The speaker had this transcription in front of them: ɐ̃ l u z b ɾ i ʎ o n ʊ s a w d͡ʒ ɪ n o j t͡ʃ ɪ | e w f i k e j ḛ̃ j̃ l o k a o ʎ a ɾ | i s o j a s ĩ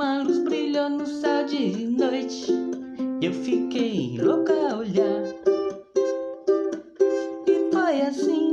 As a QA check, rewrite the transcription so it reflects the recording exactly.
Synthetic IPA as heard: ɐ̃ l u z b ɾ i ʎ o n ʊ s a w d͡ʒ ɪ n o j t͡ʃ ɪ | e w f i k e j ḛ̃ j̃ l o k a o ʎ a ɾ | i f o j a s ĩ